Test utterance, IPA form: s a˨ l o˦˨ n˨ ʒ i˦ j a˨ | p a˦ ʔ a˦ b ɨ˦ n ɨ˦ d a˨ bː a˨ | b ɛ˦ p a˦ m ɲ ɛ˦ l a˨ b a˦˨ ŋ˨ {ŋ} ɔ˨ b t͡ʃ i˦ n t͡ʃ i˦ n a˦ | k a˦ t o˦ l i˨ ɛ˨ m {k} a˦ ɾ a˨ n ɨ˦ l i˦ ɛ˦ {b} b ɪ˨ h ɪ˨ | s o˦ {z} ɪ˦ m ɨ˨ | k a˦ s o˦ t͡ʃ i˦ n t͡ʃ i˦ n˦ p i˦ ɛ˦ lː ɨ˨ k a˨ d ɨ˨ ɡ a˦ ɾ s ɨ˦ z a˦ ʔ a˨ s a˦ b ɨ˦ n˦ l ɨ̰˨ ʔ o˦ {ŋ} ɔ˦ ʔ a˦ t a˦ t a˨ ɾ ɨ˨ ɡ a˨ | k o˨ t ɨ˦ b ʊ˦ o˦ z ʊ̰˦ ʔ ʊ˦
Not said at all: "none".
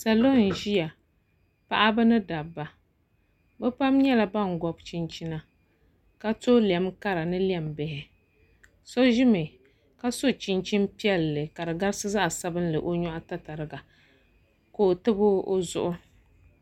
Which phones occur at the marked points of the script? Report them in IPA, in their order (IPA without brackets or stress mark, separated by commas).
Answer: ɡ, k, m, ʒ, ɲ